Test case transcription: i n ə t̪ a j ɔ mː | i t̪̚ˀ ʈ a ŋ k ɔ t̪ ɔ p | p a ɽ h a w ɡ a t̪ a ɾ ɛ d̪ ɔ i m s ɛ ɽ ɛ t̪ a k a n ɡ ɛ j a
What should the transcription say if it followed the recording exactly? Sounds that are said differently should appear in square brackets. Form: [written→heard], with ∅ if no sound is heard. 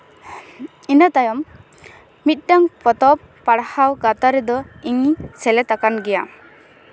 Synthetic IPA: i n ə t̪ a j ɔ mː | i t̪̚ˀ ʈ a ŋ [k→p] ɔ t̪ ɔ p | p a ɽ h a w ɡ a t̪ a ɾ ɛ d̪ ɔ i [m→ŋ] s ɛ [ɽ→l] ɛ t̪ a k a n ɡ ɛ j a